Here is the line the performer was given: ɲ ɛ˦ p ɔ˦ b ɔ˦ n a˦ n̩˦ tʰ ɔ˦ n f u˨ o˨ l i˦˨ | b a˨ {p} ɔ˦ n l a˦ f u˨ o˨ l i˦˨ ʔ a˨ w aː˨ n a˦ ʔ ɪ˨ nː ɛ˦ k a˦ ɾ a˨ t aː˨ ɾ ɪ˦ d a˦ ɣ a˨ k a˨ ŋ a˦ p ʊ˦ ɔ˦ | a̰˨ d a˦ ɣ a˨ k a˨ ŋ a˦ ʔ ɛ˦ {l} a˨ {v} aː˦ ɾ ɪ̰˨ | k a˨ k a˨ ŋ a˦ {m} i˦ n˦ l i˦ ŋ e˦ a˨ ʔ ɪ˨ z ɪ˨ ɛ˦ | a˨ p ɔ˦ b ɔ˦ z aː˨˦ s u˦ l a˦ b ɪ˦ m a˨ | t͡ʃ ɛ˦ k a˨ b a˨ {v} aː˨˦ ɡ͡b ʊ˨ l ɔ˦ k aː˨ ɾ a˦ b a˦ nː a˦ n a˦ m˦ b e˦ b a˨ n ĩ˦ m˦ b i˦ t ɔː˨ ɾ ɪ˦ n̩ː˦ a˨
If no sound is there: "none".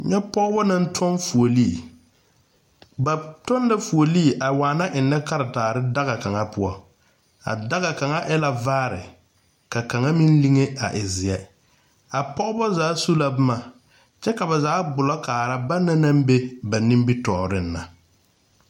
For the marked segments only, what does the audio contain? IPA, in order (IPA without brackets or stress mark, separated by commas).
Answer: t, l, v, m, z